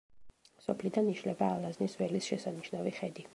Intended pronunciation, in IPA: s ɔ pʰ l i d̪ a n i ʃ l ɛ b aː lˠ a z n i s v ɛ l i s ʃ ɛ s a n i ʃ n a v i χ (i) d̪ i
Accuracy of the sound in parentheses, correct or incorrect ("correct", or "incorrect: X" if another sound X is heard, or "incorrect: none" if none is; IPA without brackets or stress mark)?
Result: incorrect: ɛ